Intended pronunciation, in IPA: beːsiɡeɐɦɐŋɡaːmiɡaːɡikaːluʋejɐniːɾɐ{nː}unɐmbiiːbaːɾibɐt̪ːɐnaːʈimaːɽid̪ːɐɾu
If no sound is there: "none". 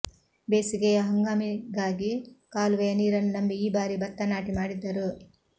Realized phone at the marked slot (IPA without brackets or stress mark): n